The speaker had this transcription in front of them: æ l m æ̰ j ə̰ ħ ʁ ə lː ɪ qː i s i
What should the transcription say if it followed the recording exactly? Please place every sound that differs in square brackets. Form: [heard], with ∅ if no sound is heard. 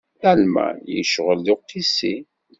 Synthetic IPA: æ l m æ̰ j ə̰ [ʃ] ʁ ə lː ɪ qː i s i